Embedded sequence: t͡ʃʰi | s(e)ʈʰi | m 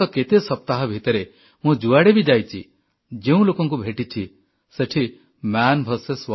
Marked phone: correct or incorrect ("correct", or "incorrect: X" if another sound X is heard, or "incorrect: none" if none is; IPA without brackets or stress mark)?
correct